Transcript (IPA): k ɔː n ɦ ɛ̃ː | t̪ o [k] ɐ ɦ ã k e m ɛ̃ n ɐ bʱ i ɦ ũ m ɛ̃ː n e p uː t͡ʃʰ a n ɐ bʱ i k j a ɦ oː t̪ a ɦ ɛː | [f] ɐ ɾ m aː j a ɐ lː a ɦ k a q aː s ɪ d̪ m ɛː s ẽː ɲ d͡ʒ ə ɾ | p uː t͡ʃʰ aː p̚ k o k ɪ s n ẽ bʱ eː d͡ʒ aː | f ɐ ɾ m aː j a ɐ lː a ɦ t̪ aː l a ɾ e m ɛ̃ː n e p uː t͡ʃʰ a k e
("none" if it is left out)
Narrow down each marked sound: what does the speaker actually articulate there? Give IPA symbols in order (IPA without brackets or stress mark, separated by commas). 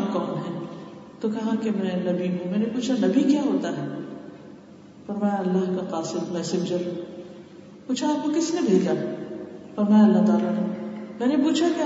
k, f